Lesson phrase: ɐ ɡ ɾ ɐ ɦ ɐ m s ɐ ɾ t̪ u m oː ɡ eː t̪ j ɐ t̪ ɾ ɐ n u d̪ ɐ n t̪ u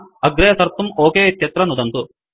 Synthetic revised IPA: ɐ ɡ ɾ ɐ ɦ ɐ s ɐ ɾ t̪ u m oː k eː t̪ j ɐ t̪ ɾ ɐ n u d̪ ɐ n t̪ u